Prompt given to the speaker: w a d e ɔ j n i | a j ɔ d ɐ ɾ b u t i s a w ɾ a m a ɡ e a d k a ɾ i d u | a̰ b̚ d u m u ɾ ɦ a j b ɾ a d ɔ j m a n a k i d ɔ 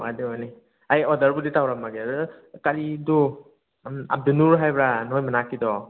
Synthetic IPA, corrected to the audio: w a d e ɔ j n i | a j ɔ d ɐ ɾ b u d i t a w ɾ a m a ɡ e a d k a ɾ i d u | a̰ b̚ d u n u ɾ ɦ a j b ɾ a n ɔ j m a n a k i d ɔ